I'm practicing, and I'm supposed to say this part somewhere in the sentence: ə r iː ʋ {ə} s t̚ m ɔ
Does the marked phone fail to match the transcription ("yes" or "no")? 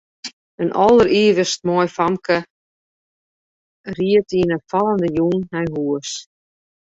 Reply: no